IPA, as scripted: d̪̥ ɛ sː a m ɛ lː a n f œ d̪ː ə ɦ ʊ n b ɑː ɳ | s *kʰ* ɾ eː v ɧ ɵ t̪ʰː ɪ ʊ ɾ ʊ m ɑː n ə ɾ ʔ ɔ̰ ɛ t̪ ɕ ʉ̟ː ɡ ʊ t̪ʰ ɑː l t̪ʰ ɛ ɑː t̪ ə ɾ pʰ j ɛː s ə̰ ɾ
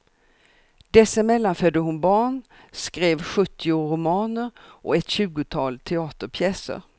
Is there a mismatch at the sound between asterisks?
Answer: yes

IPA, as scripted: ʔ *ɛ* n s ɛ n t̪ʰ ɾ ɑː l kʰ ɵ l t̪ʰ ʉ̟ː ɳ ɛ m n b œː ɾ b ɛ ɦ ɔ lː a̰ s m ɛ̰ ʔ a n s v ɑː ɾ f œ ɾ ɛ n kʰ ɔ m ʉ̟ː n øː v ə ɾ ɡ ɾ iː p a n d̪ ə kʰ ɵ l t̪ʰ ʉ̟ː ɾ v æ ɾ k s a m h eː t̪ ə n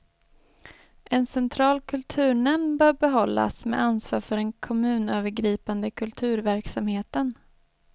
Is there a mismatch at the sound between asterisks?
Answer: no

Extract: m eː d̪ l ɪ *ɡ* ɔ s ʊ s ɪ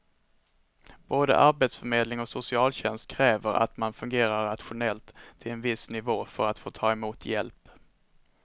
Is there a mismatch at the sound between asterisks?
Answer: yes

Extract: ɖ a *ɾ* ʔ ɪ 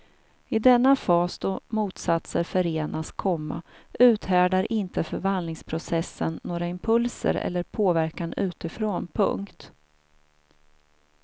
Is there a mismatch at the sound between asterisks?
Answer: no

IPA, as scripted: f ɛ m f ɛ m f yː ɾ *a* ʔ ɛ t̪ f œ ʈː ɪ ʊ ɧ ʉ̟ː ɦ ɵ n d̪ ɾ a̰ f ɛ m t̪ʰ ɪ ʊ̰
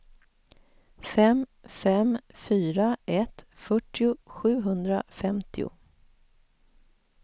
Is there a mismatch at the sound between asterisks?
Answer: no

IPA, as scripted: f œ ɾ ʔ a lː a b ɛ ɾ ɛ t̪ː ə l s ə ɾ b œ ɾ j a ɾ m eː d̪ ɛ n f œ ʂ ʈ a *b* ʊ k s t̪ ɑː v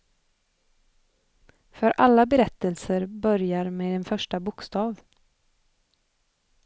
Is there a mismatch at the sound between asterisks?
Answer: no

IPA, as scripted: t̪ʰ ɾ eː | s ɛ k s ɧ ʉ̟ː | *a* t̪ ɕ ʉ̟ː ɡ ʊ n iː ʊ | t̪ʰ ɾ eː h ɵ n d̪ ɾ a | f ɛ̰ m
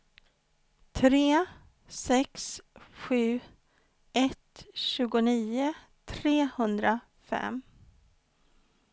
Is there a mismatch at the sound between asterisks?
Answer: yes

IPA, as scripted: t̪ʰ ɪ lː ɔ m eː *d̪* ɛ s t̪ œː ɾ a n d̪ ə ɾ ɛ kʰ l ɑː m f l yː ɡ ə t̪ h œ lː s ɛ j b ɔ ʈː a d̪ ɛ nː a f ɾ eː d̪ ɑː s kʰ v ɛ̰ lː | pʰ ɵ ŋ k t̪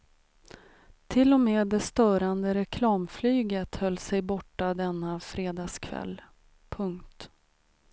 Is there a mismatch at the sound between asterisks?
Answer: no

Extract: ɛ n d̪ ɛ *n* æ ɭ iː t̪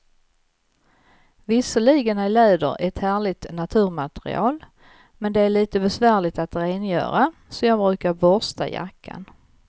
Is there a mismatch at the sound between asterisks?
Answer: yes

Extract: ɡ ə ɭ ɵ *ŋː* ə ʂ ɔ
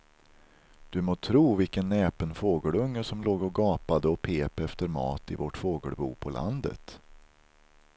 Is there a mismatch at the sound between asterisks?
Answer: no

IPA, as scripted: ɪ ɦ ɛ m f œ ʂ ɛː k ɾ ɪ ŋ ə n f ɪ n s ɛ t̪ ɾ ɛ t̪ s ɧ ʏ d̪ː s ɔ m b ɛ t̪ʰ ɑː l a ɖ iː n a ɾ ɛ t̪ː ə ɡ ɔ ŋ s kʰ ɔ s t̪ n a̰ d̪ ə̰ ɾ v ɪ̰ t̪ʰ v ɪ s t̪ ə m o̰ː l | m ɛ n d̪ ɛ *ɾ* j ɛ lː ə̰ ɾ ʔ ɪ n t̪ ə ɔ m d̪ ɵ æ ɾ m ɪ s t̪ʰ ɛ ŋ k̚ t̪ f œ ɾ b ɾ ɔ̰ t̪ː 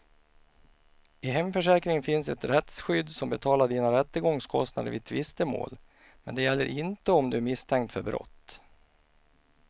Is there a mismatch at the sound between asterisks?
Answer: yes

